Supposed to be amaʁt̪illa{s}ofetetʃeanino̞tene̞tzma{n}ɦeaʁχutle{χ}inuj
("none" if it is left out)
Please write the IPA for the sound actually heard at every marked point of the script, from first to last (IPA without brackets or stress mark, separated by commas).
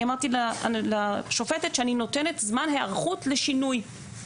ʃ, n, ʃ